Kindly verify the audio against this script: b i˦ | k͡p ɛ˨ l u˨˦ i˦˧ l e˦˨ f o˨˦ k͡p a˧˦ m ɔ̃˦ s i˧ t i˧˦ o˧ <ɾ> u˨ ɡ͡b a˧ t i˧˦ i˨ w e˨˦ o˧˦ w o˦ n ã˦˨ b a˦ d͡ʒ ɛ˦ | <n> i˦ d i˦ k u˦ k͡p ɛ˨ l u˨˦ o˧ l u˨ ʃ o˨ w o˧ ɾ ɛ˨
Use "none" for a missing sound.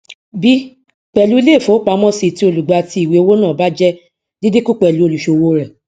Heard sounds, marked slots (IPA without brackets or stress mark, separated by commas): l, d